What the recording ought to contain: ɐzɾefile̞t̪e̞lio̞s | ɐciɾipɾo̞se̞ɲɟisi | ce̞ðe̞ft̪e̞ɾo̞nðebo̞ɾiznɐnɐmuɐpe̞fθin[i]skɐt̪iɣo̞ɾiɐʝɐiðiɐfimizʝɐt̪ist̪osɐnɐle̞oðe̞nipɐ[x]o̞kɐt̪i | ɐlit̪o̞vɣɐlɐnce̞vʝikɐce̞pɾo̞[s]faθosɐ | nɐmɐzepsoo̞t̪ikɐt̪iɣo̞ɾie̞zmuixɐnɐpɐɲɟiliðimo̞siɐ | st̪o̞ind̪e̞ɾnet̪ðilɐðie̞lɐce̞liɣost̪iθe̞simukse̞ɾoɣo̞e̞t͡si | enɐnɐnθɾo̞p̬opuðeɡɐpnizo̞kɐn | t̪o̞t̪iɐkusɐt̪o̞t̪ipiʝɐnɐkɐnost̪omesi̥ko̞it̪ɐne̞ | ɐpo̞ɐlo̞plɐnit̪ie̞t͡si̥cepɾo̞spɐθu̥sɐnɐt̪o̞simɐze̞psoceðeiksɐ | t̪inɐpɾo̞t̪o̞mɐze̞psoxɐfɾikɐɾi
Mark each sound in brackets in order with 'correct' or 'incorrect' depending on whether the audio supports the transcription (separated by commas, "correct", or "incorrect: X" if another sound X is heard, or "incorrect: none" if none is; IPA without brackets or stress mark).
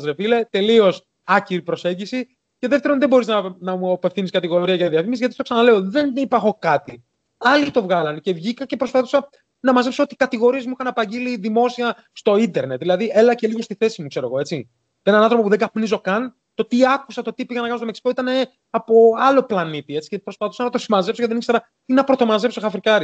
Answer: correct, correct, correct